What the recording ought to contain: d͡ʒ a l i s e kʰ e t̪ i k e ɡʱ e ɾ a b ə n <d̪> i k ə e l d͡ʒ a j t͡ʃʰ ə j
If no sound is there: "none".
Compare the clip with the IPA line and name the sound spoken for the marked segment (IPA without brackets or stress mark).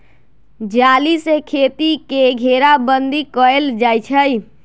d̪